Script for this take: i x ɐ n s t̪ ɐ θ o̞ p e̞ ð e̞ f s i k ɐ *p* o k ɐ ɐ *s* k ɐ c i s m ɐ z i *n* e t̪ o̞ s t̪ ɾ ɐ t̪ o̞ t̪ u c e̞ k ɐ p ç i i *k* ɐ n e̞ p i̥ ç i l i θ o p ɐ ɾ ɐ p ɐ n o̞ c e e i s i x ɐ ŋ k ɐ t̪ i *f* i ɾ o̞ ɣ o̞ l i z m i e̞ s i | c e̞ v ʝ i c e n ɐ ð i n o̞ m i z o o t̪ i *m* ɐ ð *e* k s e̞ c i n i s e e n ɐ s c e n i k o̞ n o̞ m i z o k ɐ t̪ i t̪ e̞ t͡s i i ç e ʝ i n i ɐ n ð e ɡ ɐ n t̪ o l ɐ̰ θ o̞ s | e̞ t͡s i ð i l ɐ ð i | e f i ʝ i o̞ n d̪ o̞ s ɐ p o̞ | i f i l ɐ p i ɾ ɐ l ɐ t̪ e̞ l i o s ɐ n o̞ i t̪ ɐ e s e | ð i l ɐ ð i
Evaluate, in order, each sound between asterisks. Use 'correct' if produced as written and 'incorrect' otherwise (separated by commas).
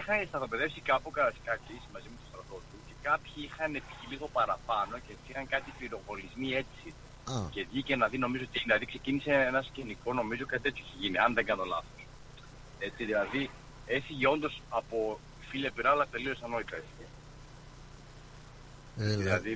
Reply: correct, correct, incorrect, incorrect, correct, incorrect, incorrect